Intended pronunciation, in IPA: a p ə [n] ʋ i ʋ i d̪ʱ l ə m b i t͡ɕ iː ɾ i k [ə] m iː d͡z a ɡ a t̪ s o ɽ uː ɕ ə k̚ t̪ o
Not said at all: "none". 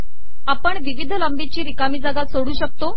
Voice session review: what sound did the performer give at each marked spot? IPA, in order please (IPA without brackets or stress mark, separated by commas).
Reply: ɳ, a